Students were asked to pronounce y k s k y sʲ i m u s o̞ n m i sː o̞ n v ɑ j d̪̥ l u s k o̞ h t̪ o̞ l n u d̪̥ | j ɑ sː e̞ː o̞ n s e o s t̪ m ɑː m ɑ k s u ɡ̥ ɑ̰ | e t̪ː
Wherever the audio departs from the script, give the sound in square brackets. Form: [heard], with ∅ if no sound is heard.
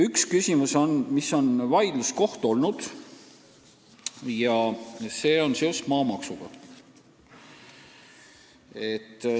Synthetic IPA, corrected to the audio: y k s k y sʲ i m u s o̞ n m i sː o̞ n v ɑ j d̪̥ l u s k o̞ h t̪ o̞ l n u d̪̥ | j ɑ [s] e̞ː o̞ n s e o s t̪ m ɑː m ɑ k s u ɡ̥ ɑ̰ | e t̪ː